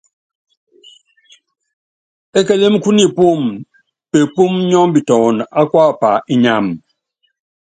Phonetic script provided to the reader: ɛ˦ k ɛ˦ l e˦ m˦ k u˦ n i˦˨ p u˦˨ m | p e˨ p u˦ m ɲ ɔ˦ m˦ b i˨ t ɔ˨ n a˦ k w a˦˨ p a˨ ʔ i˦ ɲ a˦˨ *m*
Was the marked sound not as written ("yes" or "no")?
no